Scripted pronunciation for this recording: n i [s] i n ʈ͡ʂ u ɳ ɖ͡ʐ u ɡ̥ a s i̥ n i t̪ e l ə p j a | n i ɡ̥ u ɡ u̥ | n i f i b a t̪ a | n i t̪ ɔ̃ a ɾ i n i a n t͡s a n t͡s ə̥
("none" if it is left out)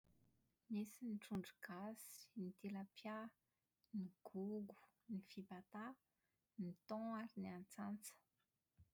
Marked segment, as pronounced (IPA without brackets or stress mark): s